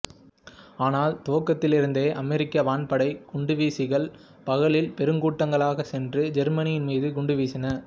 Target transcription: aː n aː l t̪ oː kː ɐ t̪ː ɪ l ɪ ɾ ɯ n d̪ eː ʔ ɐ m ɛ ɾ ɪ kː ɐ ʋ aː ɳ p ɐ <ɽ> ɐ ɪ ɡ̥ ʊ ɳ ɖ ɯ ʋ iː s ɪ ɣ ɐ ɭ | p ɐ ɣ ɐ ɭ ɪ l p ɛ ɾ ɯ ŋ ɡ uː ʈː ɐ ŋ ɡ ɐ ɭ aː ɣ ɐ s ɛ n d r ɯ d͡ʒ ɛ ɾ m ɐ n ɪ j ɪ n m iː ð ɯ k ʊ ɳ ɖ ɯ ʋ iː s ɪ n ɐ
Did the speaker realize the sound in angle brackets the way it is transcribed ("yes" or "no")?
yes